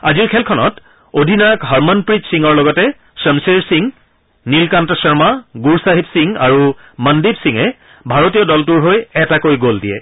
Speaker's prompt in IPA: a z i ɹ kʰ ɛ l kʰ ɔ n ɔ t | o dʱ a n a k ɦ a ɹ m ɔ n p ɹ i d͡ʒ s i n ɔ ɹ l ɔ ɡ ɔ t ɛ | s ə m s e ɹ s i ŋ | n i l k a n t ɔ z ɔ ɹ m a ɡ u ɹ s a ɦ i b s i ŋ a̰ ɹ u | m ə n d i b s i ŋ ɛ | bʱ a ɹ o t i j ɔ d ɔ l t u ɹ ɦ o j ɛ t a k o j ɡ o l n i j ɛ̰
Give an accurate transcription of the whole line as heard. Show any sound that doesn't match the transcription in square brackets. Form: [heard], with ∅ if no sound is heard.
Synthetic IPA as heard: a z i ɹ kʰ ɛ l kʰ ɔ n ɔ t | o dʱ [i] n a k ɦ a ɹ m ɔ n p ɹ i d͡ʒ s i [ŋ] ɔ ɹ l ɔ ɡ ɔ t ɛ | s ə m s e ɹ s i ŋ | n i l k a n t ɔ [s] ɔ ɹ m a ɡ u ɹ s a ɦ i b s i ŋ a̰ ɹ u | m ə n d i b s i ŋ ɛ | bʱ a ɹ o t i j ɔ d ɔ l t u ɹ ɦ o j ɛ t a k o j ɡ o l [d] i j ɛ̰